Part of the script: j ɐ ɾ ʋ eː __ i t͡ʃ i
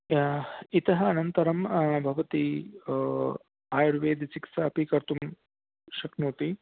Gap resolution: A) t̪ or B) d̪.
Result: B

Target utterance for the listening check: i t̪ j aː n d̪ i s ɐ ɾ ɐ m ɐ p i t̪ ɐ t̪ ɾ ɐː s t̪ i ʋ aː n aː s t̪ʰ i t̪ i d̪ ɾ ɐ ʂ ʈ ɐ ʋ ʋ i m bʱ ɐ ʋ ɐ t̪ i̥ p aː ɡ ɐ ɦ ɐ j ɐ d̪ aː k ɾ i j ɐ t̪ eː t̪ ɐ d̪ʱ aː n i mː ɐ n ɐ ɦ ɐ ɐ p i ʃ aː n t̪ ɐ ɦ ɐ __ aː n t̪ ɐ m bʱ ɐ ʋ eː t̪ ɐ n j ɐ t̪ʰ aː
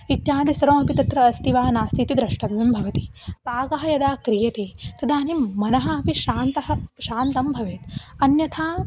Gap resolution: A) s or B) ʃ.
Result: B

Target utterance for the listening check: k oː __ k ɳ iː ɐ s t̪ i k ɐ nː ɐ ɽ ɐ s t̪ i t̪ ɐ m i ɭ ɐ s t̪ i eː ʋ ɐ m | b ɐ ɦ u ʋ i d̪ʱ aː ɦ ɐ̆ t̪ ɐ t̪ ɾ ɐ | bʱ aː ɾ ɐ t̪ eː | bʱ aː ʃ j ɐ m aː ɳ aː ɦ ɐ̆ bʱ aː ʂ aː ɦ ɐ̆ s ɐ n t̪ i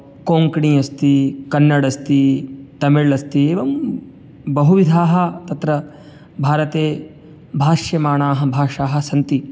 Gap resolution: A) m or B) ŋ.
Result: B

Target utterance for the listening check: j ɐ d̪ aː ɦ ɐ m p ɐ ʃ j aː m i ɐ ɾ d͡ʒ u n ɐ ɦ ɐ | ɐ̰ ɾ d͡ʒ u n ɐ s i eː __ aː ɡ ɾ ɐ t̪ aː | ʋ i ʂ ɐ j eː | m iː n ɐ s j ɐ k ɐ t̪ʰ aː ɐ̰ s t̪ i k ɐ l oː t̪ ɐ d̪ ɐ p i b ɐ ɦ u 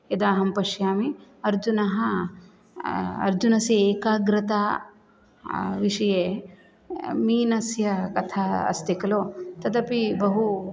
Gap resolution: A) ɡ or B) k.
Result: B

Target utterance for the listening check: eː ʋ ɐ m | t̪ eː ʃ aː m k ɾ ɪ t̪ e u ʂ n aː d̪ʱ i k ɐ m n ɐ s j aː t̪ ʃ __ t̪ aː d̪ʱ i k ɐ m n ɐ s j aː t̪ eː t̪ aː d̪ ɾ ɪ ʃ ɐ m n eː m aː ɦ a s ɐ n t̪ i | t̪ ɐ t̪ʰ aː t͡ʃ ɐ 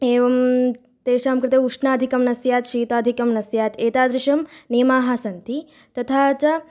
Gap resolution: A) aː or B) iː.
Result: B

